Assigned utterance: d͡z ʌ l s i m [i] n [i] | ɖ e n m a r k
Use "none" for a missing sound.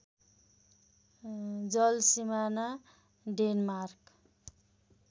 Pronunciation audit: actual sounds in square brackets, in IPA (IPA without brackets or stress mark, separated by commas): a, a